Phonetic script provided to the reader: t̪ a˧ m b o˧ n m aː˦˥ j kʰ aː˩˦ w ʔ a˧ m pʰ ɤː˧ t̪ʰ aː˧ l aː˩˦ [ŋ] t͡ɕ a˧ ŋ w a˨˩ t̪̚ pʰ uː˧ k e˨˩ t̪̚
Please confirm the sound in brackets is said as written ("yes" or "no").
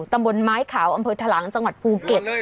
yes